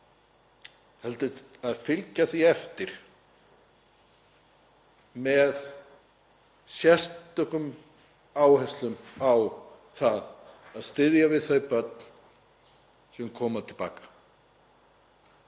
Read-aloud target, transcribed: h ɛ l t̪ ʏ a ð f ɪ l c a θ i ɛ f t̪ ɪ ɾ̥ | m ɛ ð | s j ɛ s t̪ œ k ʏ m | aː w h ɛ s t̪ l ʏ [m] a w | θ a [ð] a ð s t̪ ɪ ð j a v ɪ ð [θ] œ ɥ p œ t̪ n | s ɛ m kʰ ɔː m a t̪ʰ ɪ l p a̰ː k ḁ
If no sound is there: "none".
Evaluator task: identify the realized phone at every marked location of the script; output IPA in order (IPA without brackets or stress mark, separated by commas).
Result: m, ð, θ